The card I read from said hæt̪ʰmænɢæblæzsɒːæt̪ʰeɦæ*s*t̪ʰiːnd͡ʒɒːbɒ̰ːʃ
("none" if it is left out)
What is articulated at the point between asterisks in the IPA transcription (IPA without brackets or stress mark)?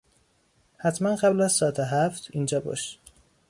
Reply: f